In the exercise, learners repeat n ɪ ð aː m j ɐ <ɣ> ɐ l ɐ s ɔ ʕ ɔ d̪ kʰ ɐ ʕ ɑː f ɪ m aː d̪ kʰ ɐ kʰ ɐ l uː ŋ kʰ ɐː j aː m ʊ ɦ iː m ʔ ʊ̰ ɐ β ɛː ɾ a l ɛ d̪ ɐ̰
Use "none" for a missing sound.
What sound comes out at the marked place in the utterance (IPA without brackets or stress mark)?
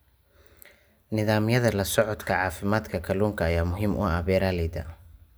ð